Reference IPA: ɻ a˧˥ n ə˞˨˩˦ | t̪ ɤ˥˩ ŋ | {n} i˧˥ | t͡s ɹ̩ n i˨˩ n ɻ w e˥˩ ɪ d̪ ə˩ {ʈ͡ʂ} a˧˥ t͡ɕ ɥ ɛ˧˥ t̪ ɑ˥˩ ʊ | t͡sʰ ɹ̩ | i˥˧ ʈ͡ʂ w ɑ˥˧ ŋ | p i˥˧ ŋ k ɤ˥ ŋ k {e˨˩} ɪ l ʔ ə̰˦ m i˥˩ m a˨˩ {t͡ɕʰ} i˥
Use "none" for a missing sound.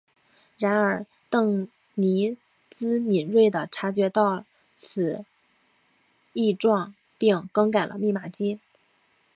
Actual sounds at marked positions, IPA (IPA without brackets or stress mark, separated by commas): n, ʈ͡ʂʰ, a˨˩, t͡ɕ